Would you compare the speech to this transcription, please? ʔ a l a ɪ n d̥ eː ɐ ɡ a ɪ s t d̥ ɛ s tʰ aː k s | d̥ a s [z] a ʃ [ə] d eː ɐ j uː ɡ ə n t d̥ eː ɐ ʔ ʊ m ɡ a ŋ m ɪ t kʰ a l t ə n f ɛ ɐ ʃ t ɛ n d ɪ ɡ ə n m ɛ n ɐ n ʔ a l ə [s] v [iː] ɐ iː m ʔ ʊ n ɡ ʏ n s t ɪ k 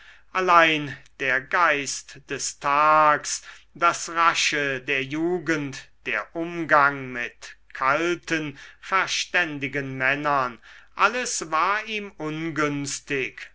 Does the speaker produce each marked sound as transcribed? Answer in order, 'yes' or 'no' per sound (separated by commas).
no, yes, yes, no